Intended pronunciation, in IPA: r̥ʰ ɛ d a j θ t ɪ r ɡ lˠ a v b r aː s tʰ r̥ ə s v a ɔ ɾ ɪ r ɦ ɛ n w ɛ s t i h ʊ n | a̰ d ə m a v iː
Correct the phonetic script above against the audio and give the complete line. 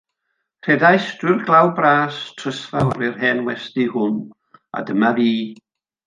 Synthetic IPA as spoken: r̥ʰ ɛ d a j s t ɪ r ɡ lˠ a w b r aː s tʰ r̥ ə s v a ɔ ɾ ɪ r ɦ ɛ n w ɛ s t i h ʊ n | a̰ d ə m a v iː